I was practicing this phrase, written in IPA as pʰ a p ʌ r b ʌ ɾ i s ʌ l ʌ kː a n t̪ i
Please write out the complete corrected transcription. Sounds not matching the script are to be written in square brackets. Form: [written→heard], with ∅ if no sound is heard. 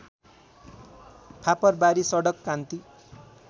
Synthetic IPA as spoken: pʰ a p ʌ r b [ʌ→a] ɾ i s ʌ [l→ɽ] ʌ kː a n t̪ i